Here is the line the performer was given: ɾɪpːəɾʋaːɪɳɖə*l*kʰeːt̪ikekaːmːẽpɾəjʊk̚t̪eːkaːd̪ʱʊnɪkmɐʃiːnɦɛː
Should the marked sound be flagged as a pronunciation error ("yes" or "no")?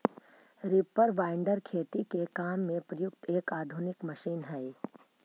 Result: yes